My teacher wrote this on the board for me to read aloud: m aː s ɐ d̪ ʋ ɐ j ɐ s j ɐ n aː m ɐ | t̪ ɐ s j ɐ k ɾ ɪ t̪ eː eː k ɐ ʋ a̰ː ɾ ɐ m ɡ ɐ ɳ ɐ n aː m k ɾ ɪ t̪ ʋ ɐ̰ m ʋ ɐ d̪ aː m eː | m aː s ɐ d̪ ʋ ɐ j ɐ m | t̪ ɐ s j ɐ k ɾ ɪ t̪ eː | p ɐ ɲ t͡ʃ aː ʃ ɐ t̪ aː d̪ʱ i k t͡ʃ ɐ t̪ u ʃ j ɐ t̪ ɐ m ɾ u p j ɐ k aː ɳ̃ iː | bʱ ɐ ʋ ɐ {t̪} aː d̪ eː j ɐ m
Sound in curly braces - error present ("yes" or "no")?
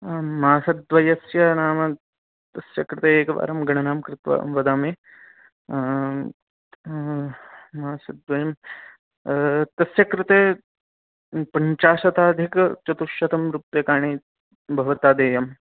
no